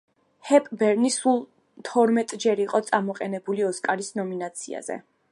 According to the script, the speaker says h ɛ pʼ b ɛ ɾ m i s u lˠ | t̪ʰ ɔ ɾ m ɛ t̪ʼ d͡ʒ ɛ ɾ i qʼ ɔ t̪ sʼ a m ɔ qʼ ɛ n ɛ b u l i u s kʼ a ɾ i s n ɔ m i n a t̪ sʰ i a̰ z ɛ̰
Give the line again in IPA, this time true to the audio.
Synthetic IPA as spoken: h ɛ pʼ b ɛ ɾ n i s u lˠ | t̪ʰ ɔ ɾ m ɛ t̪ʼ d͡ʒ ɛ ɾ i qʼ ɔ t̪ sʼ a m ɔ qʼ ɛ n ɛ b u l i ɔ s kʼ a ɾ i s n ɔ m i n a t̪ sʰ i a̰ z ɛ̰